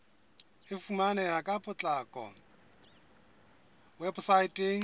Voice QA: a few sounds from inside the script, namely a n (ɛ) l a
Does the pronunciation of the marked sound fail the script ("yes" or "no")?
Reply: no